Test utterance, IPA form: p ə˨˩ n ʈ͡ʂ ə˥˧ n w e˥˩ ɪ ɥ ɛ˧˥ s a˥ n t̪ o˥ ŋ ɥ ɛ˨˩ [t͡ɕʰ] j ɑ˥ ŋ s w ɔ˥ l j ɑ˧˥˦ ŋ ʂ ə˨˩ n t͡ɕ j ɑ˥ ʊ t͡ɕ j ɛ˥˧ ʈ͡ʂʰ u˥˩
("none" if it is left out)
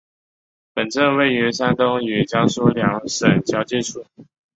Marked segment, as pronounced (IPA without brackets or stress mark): t͡ɕ